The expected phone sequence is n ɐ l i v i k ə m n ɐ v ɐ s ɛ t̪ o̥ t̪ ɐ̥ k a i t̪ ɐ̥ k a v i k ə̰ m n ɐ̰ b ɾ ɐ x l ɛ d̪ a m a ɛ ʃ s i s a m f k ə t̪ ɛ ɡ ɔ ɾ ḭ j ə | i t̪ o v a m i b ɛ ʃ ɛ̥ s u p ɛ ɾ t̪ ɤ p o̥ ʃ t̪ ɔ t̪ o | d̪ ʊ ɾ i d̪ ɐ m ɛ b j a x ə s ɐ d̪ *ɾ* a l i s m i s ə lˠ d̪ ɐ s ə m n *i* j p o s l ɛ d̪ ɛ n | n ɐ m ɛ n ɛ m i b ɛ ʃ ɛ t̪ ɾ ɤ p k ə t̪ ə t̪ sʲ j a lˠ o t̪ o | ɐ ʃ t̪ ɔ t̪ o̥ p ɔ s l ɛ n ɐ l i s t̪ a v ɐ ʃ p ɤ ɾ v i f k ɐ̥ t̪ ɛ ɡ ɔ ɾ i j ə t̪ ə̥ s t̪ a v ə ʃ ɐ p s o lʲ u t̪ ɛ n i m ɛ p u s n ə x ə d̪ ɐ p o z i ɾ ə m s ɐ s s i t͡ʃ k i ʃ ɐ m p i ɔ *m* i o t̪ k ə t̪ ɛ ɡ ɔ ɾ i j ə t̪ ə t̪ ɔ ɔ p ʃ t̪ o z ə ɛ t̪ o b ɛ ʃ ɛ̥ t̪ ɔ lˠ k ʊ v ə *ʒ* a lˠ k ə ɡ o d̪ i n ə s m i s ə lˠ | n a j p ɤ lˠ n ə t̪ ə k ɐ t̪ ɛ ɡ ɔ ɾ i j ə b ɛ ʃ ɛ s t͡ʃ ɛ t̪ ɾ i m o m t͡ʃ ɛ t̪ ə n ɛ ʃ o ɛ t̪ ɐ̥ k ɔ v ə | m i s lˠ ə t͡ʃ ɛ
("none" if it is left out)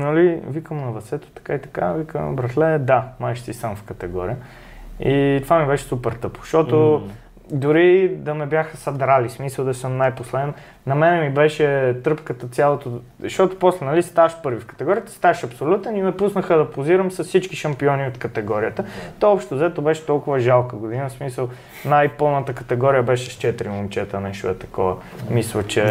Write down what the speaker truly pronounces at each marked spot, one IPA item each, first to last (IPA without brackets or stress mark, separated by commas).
ɾ, a, n, ʒ